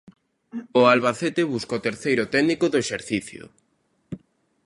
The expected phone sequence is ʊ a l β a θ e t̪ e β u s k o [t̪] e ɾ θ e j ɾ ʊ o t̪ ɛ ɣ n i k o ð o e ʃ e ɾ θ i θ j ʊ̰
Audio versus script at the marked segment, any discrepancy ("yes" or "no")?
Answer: no